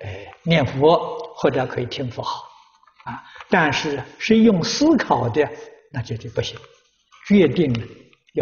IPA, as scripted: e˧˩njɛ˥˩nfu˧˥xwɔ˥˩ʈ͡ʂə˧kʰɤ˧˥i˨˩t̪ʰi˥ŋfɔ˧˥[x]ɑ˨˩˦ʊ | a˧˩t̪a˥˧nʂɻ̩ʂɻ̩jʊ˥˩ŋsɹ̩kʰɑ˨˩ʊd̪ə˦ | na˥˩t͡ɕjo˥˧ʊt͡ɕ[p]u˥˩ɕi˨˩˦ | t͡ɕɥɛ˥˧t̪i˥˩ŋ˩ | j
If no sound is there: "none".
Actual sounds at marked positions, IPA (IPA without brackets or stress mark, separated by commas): x, p